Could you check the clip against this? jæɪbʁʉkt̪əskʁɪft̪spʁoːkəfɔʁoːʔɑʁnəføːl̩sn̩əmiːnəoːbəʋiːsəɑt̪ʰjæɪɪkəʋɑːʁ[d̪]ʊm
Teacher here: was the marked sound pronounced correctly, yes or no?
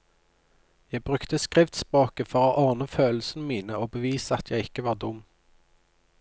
yes